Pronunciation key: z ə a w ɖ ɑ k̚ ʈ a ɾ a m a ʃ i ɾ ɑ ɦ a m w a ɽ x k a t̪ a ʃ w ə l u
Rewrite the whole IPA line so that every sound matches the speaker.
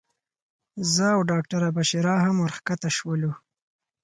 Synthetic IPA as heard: z ə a w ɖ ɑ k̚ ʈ a ɾ a b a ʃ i ɾ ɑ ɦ a m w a ɾ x k a t̪ a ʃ w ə l u